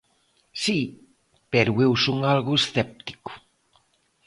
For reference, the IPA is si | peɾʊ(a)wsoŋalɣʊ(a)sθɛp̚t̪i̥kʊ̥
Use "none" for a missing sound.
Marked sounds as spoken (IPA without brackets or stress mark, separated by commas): e, e